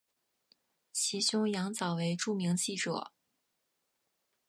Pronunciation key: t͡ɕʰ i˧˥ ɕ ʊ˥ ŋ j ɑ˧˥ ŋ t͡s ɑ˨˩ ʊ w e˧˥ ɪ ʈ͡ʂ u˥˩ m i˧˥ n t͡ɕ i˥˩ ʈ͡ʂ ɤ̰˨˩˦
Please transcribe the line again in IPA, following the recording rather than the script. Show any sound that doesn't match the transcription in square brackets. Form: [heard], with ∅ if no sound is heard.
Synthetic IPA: t͡ɕʰ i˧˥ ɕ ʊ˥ ŋ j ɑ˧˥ ŋ t͡s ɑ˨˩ ʊ w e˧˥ ɪ ʈ͡ʂ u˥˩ m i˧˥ [ŋ] t͡ɕ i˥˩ ʈ͡ʂ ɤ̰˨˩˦